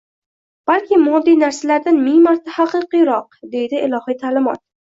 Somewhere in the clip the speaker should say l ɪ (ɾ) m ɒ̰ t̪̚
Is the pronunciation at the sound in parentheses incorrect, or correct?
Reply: incorrect